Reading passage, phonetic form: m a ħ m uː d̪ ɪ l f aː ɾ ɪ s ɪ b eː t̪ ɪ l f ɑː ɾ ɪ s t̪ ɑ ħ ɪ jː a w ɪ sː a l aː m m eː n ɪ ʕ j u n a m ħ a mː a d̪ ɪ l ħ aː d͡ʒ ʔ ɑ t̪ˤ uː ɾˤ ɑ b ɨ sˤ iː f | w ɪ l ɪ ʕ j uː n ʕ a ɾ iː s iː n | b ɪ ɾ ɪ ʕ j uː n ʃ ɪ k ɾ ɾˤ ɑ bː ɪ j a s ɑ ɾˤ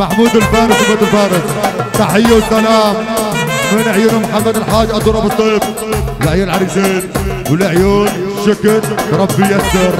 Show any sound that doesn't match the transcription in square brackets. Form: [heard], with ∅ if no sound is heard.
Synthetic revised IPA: m a ħ m uː d̪ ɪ l f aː ɾ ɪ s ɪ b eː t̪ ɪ l f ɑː ɾ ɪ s t̪ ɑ ħ ɪ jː a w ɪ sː a l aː m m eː n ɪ ʕ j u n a m ħ a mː a d̪ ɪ l ħ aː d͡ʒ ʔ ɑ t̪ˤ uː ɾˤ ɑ b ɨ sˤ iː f | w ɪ l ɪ ʕ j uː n ʕ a ɾ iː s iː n | [w] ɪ [l] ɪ ʕ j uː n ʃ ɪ k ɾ ɾˤ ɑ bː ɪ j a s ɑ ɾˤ